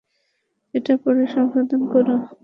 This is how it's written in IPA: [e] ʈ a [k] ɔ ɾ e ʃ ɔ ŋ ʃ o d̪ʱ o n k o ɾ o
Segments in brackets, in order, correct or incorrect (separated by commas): correct, incorrect